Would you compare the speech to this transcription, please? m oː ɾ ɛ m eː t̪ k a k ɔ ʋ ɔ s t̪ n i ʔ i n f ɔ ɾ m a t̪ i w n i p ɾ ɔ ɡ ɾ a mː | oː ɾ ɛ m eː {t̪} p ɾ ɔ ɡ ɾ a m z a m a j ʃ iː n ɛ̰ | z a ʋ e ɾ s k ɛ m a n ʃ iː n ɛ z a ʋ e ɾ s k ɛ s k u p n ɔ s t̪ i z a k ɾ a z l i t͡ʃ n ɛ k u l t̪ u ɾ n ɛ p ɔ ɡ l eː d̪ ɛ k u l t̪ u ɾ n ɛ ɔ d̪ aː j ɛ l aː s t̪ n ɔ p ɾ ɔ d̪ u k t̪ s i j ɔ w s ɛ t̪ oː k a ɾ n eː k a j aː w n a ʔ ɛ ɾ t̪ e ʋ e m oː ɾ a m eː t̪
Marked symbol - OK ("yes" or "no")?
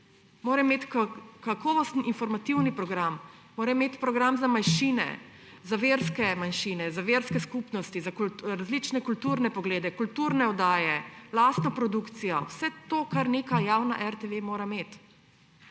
yes